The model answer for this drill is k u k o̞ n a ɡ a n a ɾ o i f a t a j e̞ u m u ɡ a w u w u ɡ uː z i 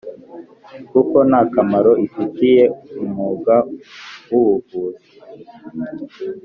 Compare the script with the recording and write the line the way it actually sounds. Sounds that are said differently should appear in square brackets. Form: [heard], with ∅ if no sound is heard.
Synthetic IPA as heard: k u k o̞ n a [k] a [m] a ɾ o i f [i] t [i] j e̞ u m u ɡ a w u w u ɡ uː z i